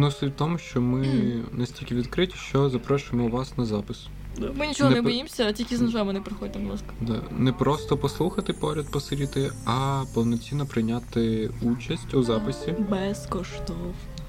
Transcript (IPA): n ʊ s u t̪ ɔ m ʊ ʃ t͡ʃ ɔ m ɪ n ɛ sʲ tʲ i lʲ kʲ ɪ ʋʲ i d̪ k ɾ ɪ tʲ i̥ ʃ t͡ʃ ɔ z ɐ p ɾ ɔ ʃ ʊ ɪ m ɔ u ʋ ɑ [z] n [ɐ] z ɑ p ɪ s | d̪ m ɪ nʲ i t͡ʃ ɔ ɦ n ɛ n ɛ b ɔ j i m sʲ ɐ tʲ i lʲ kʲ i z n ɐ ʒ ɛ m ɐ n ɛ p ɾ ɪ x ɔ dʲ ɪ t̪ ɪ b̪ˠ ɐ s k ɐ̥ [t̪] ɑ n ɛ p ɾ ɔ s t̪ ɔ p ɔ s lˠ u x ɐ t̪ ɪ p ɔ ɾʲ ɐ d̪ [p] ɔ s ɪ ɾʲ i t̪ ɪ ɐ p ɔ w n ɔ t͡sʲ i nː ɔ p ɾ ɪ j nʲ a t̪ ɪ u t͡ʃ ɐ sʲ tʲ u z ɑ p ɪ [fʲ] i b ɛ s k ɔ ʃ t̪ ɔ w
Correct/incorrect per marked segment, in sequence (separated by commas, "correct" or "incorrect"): incorrect, correct, incorrect, correct, incorrect